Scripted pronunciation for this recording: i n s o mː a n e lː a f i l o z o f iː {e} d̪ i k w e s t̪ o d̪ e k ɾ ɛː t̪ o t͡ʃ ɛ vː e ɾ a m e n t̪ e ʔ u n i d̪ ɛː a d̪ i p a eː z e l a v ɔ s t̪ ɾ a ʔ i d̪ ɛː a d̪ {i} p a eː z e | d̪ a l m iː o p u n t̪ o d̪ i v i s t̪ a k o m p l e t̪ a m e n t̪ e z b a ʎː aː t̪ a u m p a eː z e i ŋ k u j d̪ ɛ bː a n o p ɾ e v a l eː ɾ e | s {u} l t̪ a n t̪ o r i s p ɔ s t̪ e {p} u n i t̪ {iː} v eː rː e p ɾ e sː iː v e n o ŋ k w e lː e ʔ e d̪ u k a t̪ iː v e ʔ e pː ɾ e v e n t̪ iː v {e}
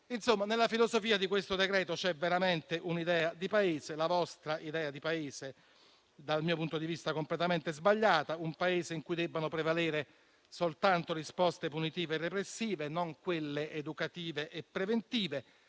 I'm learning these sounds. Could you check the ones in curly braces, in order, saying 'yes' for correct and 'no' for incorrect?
no, yes, no, yes, yes, yes

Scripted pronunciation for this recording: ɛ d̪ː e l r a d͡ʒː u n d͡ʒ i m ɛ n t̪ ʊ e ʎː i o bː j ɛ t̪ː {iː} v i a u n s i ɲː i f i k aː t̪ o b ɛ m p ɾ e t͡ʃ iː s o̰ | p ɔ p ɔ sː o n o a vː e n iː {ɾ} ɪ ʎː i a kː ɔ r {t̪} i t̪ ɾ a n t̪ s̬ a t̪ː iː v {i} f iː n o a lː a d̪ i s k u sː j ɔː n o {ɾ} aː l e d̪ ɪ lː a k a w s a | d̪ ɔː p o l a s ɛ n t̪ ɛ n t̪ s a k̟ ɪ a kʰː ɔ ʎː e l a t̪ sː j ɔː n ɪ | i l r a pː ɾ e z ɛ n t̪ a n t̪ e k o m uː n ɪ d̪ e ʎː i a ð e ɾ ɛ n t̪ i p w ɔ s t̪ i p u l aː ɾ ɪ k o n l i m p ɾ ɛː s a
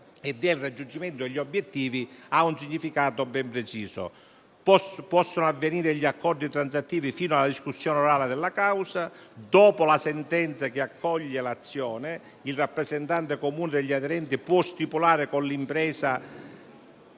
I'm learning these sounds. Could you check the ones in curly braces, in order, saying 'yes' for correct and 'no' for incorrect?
yes, yes, no, yes, yes

